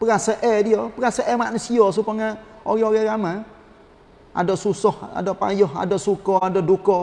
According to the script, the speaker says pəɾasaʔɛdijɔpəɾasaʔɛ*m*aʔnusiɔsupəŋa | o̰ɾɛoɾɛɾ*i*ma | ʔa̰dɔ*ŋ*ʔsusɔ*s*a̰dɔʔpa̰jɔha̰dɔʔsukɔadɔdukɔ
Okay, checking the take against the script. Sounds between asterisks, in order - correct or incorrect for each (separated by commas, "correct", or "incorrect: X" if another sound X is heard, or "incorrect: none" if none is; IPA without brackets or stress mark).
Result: correct, incorrect: a, incorrect: none, incorrect: h